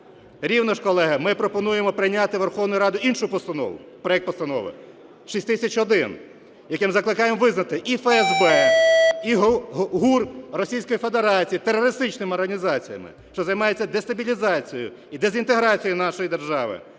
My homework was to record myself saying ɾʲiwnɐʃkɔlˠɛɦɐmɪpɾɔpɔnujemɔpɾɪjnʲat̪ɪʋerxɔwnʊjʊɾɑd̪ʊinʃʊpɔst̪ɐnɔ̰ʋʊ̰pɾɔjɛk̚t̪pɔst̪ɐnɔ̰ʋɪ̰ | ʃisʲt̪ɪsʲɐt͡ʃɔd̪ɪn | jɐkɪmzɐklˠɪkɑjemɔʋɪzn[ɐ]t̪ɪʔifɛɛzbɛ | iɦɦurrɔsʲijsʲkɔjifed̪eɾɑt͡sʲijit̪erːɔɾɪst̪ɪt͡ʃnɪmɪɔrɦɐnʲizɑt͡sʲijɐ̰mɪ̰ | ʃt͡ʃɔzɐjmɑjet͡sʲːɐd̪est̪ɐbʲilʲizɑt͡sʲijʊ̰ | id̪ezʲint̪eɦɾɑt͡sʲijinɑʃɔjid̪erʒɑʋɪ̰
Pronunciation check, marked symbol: correct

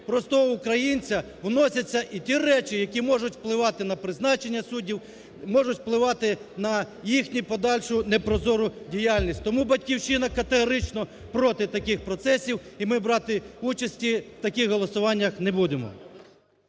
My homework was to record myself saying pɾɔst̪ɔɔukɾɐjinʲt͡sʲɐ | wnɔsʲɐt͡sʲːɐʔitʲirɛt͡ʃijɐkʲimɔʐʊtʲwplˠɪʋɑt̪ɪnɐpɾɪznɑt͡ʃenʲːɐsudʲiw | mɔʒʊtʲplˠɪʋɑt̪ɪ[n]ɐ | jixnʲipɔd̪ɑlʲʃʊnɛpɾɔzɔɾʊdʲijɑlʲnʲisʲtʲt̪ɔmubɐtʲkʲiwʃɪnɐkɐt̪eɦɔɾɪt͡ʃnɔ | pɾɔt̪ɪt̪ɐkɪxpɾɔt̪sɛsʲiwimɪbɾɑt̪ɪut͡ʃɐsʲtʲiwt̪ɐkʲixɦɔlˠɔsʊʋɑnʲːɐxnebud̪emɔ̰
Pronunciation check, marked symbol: correct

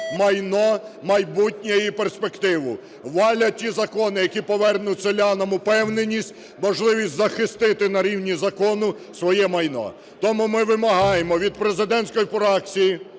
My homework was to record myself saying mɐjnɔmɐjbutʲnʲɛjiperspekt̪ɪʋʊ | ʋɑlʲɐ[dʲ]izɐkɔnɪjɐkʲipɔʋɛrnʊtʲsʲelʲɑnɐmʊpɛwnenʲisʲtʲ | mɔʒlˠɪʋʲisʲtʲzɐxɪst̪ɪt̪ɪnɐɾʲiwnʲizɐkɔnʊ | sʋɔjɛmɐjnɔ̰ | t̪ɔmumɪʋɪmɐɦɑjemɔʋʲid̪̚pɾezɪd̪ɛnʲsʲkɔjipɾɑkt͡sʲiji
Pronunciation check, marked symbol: incorrect: tʲ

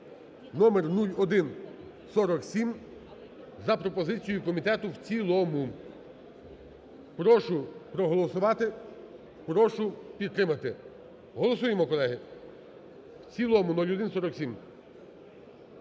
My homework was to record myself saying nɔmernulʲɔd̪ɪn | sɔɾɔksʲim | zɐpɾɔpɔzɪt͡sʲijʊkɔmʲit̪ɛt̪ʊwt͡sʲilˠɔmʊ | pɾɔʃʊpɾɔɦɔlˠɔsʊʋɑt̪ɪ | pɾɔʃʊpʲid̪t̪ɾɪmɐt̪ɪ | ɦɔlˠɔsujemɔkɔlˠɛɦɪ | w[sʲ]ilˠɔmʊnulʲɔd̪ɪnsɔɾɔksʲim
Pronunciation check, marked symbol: incorrect: t͡sʲ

